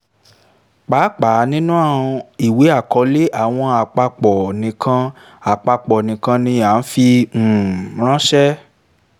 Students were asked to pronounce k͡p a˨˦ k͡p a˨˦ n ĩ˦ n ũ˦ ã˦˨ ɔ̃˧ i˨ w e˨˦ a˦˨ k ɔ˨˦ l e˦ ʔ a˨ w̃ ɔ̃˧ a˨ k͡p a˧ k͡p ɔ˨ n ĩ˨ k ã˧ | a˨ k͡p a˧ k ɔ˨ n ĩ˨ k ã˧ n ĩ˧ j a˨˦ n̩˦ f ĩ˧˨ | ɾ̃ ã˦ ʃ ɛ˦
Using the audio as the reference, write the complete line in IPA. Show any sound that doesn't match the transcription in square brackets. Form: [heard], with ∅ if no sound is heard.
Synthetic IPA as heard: k͡p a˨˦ k͡p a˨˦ n ĩ˦ n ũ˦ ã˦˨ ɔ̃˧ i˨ w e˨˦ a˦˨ k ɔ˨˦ l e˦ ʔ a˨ w̃ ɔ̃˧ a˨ k͡p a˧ k͡p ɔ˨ n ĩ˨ k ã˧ | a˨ k͡p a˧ [k͡p] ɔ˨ n ĩ˨ k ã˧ n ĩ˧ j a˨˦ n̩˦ f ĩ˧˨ | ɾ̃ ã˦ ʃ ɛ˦